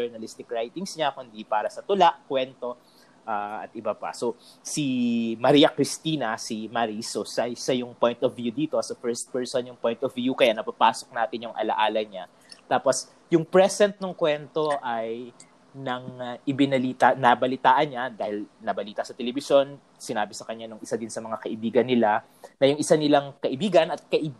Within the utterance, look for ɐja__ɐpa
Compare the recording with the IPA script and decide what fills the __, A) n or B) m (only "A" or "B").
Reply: A